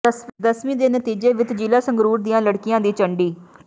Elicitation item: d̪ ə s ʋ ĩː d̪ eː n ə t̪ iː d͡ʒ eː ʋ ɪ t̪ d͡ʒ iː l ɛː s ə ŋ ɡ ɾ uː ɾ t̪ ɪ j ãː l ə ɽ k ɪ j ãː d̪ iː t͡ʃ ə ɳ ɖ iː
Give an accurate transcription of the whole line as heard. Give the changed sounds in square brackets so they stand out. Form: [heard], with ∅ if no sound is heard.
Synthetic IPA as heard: d̪ ə s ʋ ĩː d̪ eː n ə t̪ iː d͡ʒ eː ʋ ɪ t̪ d͡ʒ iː l [aː] s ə ŋ ɡ ɾ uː ɾ [d̪] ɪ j ãː l ə ɽ k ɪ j ãː d̪ iː t͡ʃ ə ɳ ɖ iː